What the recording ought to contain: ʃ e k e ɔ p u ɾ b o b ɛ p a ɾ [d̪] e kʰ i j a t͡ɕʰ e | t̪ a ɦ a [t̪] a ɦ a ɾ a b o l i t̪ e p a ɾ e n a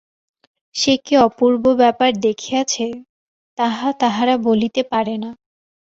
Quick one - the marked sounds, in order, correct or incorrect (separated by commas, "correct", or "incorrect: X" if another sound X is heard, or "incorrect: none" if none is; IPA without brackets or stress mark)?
correct, correct